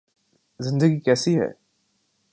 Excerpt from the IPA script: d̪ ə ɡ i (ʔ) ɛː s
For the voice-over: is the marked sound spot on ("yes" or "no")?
no